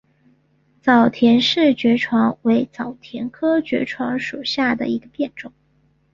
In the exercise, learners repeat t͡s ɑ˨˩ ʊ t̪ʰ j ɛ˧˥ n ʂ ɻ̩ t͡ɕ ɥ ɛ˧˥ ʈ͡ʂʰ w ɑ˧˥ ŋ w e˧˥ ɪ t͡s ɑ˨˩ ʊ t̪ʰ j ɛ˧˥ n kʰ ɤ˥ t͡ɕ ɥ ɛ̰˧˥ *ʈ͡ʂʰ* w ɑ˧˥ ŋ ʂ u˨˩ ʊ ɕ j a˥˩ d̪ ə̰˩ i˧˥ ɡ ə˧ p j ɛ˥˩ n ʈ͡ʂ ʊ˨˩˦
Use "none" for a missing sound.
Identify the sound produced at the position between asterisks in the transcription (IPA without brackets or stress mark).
ʈ͡ʂʰ